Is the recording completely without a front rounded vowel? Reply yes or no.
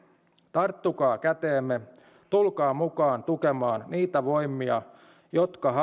yes